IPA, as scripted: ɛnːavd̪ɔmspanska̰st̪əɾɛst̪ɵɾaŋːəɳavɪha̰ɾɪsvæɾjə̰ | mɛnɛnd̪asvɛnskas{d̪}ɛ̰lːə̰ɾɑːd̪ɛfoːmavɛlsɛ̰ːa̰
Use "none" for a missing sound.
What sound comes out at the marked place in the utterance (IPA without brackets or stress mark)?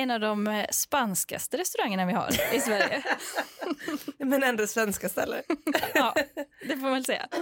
t̪